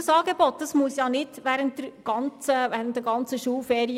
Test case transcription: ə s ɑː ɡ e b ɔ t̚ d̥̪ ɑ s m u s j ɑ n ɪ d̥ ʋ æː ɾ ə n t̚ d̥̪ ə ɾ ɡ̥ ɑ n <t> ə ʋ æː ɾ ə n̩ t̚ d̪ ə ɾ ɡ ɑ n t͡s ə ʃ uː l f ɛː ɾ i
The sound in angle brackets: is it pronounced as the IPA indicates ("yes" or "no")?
no